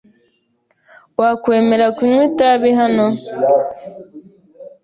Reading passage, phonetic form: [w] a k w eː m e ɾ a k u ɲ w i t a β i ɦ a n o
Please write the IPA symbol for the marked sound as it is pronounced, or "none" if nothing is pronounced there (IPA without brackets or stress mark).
w